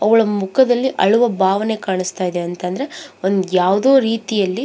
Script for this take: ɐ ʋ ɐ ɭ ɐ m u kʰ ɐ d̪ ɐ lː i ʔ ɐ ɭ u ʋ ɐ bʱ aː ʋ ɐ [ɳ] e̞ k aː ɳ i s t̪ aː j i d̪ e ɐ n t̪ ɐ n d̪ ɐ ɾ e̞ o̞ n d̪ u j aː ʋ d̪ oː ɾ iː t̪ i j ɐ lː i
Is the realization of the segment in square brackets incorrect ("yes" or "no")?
yes